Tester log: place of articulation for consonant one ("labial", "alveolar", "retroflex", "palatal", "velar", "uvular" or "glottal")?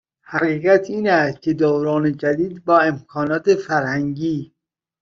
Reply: glottal